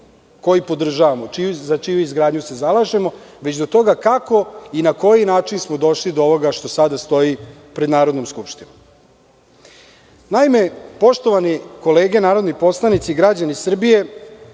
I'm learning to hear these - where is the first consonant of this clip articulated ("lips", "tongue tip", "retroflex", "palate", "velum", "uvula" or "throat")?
velum